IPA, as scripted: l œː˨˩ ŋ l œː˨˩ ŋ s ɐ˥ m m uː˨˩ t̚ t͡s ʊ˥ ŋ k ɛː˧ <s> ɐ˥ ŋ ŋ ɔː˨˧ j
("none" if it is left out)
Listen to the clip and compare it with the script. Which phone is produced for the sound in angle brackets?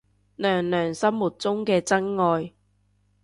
t͡s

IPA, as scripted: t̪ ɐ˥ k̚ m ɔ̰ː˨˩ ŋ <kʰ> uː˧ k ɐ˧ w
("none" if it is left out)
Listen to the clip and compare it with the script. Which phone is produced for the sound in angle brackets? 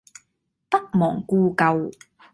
k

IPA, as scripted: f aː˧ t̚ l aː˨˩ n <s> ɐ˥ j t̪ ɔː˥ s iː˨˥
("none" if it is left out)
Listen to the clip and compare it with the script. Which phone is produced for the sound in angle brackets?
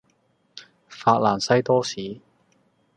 s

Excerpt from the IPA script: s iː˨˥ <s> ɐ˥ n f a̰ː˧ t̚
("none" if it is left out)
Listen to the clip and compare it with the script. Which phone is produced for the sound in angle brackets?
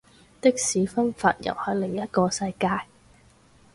f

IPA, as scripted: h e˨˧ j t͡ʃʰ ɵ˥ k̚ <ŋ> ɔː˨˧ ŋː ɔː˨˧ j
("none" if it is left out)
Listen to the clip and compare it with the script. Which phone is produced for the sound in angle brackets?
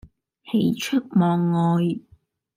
m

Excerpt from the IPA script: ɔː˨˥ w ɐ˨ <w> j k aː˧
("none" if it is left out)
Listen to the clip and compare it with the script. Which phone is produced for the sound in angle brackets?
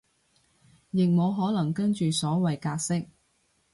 none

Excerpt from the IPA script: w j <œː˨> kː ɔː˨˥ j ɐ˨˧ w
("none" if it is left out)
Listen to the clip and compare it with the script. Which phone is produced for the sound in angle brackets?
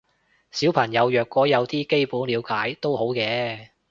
œː˨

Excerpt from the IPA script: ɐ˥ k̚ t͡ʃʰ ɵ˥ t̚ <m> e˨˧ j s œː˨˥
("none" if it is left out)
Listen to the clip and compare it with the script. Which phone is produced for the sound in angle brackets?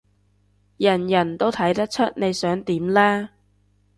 n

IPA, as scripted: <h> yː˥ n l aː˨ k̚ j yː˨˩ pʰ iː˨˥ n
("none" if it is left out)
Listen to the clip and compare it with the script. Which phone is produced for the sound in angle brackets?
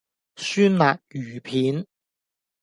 s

